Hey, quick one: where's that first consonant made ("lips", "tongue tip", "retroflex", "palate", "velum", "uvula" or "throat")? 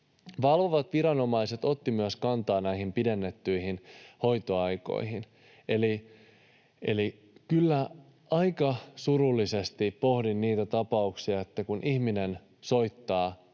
lips